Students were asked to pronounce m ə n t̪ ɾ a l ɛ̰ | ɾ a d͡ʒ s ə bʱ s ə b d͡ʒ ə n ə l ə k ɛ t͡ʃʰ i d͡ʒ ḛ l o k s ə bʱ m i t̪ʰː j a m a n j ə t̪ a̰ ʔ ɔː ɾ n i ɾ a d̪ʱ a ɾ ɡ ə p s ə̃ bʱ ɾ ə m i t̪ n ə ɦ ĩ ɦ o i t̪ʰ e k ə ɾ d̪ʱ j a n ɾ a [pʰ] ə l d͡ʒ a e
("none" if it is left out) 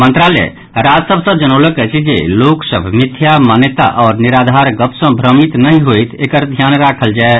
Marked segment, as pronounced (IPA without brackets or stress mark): kʰ